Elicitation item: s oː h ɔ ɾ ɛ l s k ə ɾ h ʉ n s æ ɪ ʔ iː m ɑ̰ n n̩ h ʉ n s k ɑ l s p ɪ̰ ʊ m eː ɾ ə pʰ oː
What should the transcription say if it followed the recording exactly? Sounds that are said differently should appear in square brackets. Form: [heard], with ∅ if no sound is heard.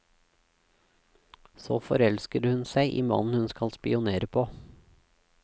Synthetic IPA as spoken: s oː [f] ɔ ɾ ɛ l s k ə ɾ h ʉ n s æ ɪ ʔ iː m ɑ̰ n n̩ h ʉ n s k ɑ l s p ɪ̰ ʊ [n] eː ɾ ə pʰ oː